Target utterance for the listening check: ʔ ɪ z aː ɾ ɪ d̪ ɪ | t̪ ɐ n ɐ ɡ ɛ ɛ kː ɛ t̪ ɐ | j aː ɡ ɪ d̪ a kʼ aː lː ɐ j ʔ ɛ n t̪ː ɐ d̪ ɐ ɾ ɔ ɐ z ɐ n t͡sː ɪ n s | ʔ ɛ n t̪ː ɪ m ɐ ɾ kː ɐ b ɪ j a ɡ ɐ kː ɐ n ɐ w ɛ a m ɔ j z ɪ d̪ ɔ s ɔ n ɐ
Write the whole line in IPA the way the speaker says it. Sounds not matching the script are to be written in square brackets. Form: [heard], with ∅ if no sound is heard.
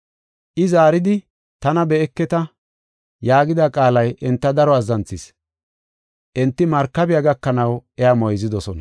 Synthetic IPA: ʔ ɪ z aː ɾ ɪ d̪ ɪ | t̪ ɐ n ɐ [b] ɛ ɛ kː ɛ t̪ ɐ | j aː ɡ ɪ d̪ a kʼ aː [l] ɐ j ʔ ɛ n t̪ː ɐ d̪ ɐ ɾ ɔ ɐ z ɐ n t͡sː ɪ [∅] s | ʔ ɛ n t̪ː ɪ m ɐ ɾ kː ɐ b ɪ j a ɡ ɐ kː ɐ n ɐ w ɛ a m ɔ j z ɪ d̪ ɔ s ɔ n ɐ